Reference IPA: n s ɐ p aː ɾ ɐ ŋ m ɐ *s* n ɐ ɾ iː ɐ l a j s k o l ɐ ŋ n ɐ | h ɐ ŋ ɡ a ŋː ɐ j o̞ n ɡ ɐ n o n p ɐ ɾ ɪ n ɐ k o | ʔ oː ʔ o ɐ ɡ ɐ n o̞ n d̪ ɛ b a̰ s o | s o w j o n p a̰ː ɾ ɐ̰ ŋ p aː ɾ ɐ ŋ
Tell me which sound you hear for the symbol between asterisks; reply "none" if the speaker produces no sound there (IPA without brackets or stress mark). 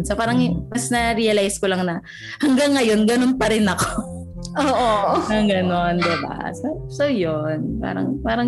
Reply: s